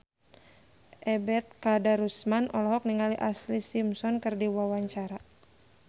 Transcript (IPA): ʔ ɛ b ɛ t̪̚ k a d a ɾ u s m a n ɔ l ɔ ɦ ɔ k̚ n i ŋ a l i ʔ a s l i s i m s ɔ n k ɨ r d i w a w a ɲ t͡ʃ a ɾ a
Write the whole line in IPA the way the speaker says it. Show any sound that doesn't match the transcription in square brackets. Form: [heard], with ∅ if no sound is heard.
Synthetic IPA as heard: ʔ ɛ b ɛ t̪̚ k a d a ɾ u s m a n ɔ l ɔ ɦ ɔ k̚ n i ŋ a l i ʔ a s l i s i m s ɔ n k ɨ r d i w a w a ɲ t͡ʃ a ɾ a